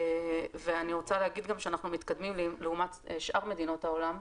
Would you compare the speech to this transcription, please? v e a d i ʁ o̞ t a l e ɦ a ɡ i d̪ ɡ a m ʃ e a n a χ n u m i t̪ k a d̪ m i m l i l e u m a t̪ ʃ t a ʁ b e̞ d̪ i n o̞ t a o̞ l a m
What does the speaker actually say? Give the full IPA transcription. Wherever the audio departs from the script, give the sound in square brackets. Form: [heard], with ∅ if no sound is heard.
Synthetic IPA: v e a [n] i ʁ o̞ [t͡s] a l e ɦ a ɡ i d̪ ɡ a m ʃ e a n a χ n u m i t̪ k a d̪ m i m l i l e u m a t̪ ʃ [ʔ] a ʁ [m] e̞ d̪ i n o̞ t a o̞ l a m